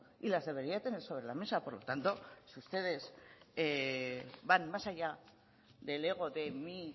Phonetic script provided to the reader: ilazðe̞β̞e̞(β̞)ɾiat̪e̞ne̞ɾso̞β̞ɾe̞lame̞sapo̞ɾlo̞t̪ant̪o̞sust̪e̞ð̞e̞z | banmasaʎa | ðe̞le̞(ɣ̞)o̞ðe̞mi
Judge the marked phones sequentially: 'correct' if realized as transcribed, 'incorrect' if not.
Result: incorrect: none, correct

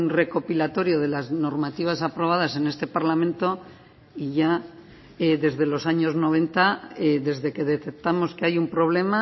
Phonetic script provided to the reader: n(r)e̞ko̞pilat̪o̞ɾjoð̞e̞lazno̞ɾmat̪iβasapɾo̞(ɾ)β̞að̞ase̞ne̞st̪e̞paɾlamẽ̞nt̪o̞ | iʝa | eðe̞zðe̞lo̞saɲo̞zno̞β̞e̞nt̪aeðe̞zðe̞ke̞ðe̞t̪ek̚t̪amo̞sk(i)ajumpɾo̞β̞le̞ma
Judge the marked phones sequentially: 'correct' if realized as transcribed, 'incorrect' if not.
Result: correct, incorrect: none, incorrect: e

